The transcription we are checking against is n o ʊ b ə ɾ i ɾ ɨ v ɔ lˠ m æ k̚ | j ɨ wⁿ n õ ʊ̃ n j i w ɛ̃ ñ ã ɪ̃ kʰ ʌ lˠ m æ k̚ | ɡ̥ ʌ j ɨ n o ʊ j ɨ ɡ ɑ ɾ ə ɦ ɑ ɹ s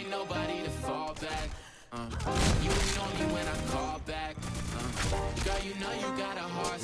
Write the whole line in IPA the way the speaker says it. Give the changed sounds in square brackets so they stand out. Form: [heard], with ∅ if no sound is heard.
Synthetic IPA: n o ʊ b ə ɾ i ɾ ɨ [f] ɔ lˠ [b] æ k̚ | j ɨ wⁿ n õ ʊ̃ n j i w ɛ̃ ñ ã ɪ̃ kʰ [ɔ] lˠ [b] æ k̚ | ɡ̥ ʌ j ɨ n o ʊ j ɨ ɡ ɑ ɾ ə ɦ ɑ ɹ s